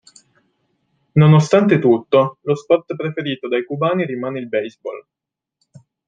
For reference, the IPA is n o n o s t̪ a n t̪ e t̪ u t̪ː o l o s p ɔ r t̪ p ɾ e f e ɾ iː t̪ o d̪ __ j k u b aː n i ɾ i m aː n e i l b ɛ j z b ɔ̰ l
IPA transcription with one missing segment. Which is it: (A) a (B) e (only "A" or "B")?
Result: A